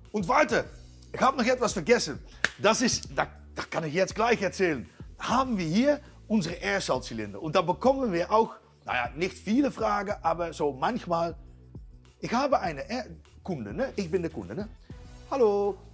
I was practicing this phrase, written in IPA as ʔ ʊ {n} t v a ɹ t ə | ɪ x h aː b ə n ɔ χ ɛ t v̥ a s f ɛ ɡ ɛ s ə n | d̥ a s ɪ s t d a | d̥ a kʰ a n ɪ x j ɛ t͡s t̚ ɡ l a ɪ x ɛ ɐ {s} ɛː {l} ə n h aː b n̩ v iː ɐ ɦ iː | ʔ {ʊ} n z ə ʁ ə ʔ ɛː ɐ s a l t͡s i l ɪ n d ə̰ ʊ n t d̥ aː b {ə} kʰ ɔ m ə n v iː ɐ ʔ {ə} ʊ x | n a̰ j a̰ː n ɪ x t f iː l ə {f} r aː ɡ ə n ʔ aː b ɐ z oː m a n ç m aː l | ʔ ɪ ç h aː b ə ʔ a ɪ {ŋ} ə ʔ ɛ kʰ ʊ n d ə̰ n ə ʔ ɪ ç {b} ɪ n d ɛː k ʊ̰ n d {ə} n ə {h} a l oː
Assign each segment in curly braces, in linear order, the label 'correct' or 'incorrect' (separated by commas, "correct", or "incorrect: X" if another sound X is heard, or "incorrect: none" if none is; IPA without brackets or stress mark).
correct, incorrect: t͡s, correct, correct, correct, incorrect: a, correct, incorrect: n, correct, correct, correct